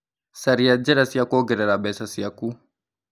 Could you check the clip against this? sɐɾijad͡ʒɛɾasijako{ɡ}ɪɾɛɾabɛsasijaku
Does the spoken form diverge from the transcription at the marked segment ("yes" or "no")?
no